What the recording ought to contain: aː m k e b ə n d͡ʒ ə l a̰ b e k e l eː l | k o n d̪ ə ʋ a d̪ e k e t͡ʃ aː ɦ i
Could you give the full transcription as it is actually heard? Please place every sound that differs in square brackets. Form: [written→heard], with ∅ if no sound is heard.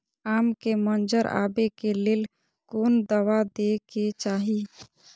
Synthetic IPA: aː m k e [b→m] ə n d͡ʒ ə [l→ɾ] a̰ b e k e l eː l | k o n d̪ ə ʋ a d̪ e k e t͡ʃ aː ɦ i